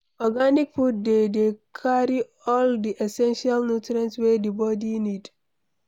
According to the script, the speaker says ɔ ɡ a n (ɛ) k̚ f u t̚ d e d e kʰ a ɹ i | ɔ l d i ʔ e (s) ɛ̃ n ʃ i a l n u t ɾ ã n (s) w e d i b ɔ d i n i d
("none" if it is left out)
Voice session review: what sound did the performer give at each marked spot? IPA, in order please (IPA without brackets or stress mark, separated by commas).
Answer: i, s, s